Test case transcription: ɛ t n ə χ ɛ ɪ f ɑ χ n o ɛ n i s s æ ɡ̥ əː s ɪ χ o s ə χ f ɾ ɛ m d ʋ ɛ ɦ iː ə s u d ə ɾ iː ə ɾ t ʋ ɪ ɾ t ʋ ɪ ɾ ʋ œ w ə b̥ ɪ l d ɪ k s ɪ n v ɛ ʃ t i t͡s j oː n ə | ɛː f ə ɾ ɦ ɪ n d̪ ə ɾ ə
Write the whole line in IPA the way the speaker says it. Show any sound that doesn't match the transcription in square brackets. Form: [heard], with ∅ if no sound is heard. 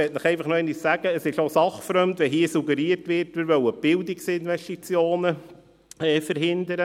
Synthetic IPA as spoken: ɛ t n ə χ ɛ ɪ f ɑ χ n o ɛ n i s s æ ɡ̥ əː s ɪ [ʃ] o s [ɑ] χ f ɾ [œ] m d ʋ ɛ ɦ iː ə s u [ɡ] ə ɾ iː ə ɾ t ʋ ɪ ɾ t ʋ ɪ ɾ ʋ œ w ə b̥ ɪ l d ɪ k s ɪ n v ɛ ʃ t i t͡s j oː n ə | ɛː f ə ɾ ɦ ɪ n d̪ ə ɾ ə